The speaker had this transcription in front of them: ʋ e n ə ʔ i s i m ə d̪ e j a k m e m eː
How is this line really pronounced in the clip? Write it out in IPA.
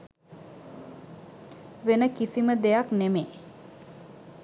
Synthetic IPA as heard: ʋ e n ə k i s i m ə d̪ e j a k n e m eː